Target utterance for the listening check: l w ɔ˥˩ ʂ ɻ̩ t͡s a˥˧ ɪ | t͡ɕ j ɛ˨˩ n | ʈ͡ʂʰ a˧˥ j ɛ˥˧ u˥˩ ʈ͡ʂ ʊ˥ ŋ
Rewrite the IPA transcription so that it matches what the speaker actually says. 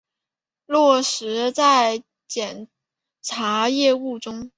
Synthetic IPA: l w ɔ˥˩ ʂ ɻ̩ t͡s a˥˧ ɪ | t͡ɕ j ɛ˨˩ n | ʈ͡ʂʰ a˧˥ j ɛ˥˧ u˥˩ ʈ͡ʂ ʊ˥ ŋ